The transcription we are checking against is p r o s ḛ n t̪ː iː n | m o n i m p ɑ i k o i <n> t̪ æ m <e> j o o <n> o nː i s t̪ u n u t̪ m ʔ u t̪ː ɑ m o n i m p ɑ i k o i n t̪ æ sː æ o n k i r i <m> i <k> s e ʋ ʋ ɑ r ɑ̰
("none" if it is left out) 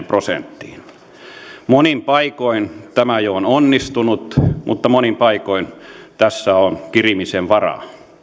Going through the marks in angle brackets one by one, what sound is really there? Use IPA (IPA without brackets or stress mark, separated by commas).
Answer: n, æ, n, m, none